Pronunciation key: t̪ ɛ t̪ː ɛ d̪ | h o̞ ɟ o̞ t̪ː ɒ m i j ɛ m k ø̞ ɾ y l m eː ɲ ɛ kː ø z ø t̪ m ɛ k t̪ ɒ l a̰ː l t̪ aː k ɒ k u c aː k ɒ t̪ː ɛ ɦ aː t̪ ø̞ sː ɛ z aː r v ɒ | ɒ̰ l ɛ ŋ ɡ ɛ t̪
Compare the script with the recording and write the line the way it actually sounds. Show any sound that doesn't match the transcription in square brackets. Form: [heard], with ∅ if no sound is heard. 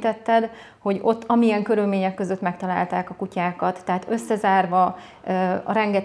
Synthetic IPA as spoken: t̪ ɛ t̪ː ɛ d̪ | h o̞ ɟ o̞ t̪ː ɒ m i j ɛ [ŋ] k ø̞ ɾ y l m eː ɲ ɛ kː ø z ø t̪ m ɛ k t̪ ɒ l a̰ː l t̪ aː k ɒ k u c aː k ɒ t̪ː ɛ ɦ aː t̪ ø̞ sː ɛ z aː r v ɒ | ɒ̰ [ɾ] ɛ ŋ ɡ ɛ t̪